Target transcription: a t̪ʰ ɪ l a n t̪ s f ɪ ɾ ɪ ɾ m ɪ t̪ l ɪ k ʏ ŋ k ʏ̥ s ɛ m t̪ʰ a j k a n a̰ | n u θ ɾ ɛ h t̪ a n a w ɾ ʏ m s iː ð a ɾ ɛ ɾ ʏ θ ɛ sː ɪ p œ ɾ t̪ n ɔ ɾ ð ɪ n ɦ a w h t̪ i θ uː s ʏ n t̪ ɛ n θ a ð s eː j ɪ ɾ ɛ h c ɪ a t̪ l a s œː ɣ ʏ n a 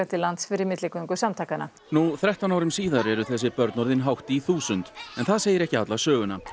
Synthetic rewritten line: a t̪ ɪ l a n t̪ s f ɪ ɾ ɪ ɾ m ɪ t̪ l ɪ k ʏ ŋ k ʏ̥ s a m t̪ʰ a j k a n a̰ | n u θ ɾ ɛ h t̪ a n a w ɾ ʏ m s iː ð a ɾ ɛ ɾ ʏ θ ɛ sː ɪ p œ ɾ t̪ n ɔ ɾ ð ɪ n ɦ a w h t̪ i θ uː s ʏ n t̪ ɛ n θ a ð s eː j ɪ ɾ ɛ h c ɪ a t̪ l a s œː ɣ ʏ n a